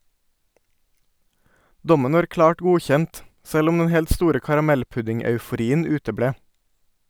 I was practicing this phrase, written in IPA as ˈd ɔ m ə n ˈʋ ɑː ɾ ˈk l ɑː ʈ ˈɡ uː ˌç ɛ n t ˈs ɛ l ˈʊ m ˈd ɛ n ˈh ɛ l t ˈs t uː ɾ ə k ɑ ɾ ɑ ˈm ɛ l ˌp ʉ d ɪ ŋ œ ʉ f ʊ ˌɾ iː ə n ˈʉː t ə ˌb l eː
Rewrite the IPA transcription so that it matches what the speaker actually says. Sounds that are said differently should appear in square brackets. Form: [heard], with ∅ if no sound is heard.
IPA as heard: ˈd ɔ m ə n ˈʋ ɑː ɾ ˈk l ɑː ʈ ˈɡ uː ˌç ɛ n t ˈs ɛ l ˈʊ m ˈd ɛ n ˈh ɛ l t ˈs t uː ɾ ə k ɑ ɾ ɑ ˈm ɛ l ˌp ʉ d ɪ ŋ œ ʉ f ʊ ˌɾ iː ə n ˈʉː t ə ˌb [ɽ] eː